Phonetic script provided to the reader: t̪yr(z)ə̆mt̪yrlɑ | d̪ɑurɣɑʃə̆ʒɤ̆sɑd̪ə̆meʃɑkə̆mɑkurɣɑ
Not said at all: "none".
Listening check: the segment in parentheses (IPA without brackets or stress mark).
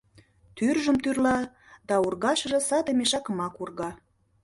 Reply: ʒ